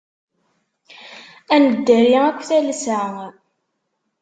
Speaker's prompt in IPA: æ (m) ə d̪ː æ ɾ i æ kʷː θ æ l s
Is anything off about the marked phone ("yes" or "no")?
yes